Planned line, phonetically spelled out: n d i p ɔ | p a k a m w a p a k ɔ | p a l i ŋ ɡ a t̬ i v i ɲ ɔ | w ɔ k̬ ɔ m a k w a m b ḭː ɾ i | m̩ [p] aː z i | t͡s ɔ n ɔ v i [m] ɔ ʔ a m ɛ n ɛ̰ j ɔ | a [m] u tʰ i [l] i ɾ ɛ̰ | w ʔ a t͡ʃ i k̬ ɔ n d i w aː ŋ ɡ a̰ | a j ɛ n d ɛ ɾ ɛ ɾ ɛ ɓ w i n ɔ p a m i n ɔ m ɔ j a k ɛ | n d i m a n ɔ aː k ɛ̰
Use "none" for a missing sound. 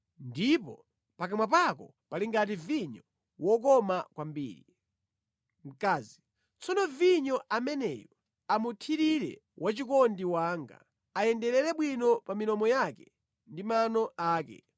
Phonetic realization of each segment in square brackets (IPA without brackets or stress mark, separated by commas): k, ɲ, m, ɾ